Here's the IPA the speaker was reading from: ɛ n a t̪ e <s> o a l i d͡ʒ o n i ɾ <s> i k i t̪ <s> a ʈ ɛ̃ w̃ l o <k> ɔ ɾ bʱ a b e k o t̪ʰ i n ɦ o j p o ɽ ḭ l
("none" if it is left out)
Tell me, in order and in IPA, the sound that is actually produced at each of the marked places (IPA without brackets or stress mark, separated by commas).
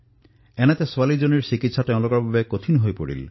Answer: s, s, s, k